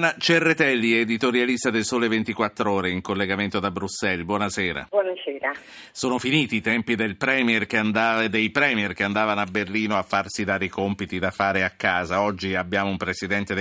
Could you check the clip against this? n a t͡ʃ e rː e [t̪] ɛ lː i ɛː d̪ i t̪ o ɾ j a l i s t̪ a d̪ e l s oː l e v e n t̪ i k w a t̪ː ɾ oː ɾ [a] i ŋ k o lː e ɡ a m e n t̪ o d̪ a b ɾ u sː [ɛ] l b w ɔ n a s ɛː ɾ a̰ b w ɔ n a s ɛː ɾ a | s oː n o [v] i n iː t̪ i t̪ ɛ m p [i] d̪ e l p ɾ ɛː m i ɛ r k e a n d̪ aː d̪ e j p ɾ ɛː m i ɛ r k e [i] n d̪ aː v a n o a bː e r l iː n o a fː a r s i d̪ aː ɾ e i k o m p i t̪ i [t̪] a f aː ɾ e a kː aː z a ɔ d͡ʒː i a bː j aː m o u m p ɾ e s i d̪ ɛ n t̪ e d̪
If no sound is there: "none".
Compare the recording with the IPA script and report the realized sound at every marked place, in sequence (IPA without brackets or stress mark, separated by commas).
t̪, e, ɛ, f, i, a, d̪